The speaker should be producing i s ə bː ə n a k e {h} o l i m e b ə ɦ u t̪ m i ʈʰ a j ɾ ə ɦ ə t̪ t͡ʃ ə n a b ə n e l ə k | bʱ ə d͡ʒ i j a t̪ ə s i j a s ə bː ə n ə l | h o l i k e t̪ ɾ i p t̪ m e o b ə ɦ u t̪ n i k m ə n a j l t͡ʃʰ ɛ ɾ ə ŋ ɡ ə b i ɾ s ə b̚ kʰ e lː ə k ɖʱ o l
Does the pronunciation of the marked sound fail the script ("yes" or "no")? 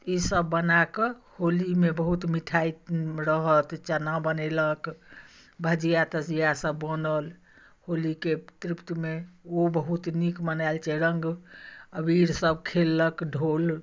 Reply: no